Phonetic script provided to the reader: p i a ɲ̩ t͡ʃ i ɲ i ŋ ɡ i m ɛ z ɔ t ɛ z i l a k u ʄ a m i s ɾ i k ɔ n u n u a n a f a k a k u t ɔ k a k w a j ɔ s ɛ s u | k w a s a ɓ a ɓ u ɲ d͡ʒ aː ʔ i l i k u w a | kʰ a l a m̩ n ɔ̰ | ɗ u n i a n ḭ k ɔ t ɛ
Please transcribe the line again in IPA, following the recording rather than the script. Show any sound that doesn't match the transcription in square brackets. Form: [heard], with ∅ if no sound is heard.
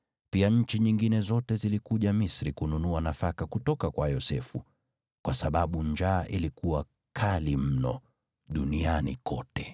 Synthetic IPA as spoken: p i a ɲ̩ t͡ʃ i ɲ i ŋ ɡ i [n] ɛ z ɔ t ɛ z i l [i] k u ʄ a m i s ɾ i k [u] n u n u a n a f a k a k u t ɔ k a k w a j ɔ s ɛ [f] u | k w a s a ɓ a ɓ u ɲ d͡ʒ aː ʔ i l i k u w a | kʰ a l [i] m̩ n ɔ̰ | ɗ u n i a n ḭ k ɔ t ɛ

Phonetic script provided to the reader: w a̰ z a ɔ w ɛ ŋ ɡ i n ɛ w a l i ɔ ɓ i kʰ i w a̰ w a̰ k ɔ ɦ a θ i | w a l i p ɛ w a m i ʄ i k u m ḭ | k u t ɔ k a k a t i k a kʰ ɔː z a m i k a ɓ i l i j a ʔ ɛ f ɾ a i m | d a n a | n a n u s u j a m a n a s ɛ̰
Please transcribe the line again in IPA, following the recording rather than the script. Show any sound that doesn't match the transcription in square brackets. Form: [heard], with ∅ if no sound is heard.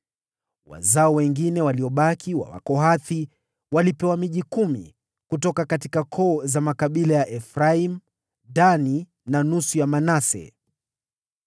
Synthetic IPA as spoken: w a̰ z a ɔ w ɛ ŋ ɡ i n ɛ w a l i ɔ ɓ [a] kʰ i w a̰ w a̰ k ɔ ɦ a θ i | w a l i p ɛ w a m i ʄ i k u m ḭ | k u t ɔ k a k a t i k a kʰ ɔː z a m [a] k a ɓ i l [a] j a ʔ ɛ f ɾ a i m | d a n [i] | n a n u s u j a m a n a s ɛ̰

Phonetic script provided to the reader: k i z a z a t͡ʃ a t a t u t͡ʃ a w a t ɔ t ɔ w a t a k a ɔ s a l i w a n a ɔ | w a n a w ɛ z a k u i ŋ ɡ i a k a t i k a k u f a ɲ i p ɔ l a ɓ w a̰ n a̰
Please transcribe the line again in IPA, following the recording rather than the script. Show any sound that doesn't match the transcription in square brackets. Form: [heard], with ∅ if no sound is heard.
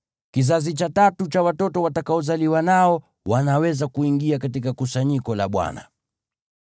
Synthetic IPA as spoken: k i z a z [i] t͡ʃ a t a t u t͡ʃ a w a t ɔ t ɔ w a t a k a ɔ [z] a l i w a n a ɔ | w a n a w ɛ z a k u i ŋ ɡ i a k a t i k a k u [s] a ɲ i [k] ɔ l a ɓ w a̰ n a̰

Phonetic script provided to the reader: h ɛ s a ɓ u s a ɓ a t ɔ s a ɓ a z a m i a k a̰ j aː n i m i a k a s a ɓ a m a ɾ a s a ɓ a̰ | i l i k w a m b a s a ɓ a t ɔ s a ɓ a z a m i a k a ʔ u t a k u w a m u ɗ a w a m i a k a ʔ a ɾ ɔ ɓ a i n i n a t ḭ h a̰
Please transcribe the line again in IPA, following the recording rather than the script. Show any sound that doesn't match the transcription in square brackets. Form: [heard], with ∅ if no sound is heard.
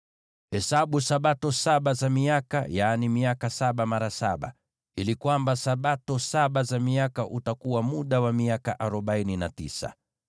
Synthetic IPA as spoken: h ɛ s a ɓ u s a ɓ a t ɔ s a ɓ a z a m i a k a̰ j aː n i m i a k a s a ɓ a m a ɾ a s a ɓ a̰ | i l i k w a m b a s a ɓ a t ɔ s a ɓ a z a m i a k a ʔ u t a k u w a m u ɗ a w a m i a k a ʔ a ɾ ɔ ɓ a i n i n a t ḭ [s] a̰

